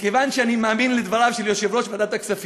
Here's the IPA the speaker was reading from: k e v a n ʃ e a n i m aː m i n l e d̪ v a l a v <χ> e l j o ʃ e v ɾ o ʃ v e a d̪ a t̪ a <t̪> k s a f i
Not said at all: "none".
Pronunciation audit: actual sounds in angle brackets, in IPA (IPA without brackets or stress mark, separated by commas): ʃ, none